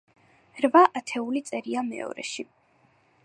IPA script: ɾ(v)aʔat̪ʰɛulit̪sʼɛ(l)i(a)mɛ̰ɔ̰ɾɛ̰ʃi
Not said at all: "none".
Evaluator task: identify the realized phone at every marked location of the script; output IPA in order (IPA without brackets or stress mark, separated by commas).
v, ɾ, a